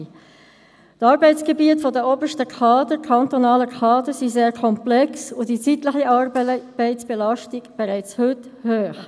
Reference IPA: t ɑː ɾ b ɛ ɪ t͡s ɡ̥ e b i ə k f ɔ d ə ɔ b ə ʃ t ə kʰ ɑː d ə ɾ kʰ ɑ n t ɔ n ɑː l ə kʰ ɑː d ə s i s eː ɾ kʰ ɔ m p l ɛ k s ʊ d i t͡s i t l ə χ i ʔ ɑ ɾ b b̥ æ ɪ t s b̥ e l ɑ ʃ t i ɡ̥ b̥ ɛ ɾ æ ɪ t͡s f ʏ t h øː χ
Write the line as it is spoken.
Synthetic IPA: t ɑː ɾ b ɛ ɪ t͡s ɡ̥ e b i ə t f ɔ d ə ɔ b ə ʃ t ə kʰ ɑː d ə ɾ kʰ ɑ n t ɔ n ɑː l ə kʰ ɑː d ə s i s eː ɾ kʰ ɔ m p l ɛ k s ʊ d i t͡s i t l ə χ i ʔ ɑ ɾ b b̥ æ ɪ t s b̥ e l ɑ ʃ t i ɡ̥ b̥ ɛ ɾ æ ɪ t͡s h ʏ t h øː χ